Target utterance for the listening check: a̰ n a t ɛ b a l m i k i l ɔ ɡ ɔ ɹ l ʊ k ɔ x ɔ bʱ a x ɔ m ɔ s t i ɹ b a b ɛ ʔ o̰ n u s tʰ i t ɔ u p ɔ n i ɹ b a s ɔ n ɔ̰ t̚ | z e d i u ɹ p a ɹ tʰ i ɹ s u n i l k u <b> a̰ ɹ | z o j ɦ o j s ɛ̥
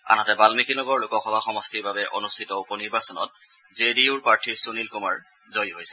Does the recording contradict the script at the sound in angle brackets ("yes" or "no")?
yes